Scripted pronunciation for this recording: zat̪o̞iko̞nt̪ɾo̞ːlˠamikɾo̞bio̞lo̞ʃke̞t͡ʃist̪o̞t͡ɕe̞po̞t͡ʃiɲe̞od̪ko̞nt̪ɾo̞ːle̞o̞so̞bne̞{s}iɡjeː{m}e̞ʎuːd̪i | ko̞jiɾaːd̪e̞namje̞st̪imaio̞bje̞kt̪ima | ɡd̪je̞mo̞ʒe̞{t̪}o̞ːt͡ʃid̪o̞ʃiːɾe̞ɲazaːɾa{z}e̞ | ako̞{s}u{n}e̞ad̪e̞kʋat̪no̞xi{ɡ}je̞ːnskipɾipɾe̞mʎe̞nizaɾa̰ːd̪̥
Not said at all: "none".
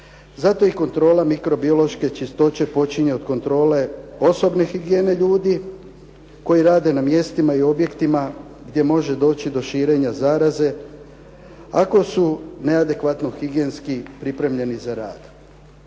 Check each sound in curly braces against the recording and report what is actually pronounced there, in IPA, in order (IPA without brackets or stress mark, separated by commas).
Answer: x, n, d̪, z, s, n, ɡ